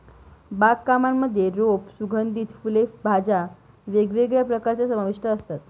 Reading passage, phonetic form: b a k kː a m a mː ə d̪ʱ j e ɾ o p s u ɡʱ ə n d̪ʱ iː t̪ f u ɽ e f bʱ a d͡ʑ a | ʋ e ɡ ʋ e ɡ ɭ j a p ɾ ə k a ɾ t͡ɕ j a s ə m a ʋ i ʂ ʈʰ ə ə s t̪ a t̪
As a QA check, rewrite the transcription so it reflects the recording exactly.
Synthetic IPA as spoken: b a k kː a m a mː ə d̪ʱ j e ɾ o p s u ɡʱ ə n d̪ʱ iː t̪ f u l e f bʱ a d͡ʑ a | ʋ e ɡ ʋ e ɡ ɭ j a p ɾ ə k a ɾ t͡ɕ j a s ə m a ʋ i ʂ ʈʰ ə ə s t̪ a t̪